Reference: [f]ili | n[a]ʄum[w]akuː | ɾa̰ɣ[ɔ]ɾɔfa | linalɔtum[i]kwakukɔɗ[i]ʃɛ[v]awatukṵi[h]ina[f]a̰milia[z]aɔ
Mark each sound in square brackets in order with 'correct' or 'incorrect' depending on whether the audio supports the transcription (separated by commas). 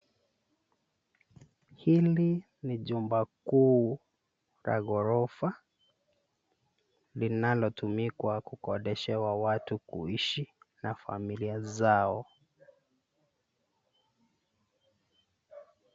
incorrect, incorrect, incorrect, correct, correct, incorrect, incorrect, incorrect, correct, correct